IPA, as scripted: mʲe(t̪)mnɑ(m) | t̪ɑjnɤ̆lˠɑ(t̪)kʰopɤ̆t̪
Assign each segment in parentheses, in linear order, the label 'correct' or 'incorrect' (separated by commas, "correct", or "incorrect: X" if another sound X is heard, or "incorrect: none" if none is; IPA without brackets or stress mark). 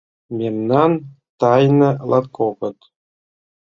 incorrect: none, incorrect: n, correct